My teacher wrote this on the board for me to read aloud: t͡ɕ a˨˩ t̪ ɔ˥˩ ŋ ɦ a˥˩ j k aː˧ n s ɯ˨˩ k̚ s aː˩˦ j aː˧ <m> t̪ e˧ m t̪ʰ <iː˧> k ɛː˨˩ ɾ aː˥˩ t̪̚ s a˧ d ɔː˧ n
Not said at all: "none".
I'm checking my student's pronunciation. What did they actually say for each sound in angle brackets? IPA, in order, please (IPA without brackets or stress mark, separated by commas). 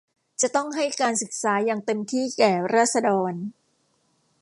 ŋ, iː˥˩